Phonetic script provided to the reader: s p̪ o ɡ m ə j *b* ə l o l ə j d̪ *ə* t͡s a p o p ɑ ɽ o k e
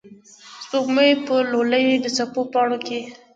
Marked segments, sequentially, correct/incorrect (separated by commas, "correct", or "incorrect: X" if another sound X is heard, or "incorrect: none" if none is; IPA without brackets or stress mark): incorrect: p, correct